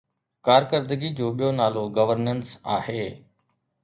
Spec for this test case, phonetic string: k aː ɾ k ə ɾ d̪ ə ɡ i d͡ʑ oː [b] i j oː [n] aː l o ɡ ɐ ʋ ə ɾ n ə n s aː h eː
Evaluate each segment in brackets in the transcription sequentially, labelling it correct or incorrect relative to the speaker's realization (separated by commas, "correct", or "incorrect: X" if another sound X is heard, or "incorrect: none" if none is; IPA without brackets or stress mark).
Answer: incorrect: ɓ, correct